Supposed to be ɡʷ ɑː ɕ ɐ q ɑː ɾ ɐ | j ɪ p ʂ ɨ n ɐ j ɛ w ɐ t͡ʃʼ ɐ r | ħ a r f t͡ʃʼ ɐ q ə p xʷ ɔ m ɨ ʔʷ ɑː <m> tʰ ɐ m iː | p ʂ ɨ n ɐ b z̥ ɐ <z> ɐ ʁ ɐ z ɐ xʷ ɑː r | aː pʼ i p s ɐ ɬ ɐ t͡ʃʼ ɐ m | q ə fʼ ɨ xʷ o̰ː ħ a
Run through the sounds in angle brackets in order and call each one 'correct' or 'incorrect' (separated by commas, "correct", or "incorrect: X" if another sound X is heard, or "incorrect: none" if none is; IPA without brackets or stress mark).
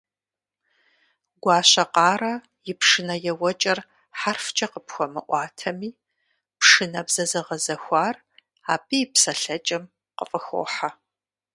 incorrect: none, correct